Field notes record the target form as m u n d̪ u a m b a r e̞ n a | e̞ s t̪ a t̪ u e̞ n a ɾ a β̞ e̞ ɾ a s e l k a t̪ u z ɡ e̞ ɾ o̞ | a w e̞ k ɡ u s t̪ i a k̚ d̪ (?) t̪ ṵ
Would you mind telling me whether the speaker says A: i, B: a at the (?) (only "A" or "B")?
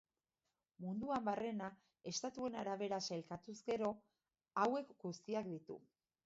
A